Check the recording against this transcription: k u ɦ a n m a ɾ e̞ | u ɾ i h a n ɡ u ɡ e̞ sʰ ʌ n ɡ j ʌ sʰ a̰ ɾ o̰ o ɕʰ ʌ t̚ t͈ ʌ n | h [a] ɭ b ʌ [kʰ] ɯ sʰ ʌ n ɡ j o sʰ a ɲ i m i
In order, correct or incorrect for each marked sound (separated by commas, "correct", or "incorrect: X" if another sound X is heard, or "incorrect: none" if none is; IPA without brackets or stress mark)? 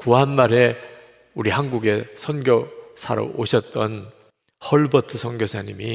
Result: incorrect: ʌ, incorrect: tʰ